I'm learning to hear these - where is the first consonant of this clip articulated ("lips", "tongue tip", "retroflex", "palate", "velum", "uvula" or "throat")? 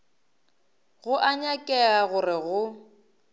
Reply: velum